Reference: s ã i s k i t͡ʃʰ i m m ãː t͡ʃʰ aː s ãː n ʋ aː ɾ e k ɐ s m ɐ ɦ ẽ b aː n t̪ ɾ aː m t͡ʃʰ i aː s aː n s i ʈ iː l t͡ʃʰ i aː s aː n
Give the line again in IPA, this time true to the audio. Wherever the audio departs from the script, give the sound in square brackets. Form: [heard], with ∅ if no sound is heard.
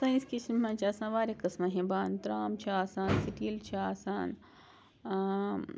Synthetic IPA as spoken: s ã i s k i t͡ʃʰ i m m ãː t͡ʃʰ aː s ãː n ʋ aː ɾ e k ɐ s m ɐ ɦ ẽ b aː n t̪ ɾ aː m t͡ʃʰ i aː s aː n s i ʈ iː l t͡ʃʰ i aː s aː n